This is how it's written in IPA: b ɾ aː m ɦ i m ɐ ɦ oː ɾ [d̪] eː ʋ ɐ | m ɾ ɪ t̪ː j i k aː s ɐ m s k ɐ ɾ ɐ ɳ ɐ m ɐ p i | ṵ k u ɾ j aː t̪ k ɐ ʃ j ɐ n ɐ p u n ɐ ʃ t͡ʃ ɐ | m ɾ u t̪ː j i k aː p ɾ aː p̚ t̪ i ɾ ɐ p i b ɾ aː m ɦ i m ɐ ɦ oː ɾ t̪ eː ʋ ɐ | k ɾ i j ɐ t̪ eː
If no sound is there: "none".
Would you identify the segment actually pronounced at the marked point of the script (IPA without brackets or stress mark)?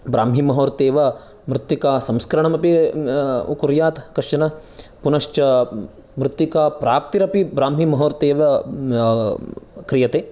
t̪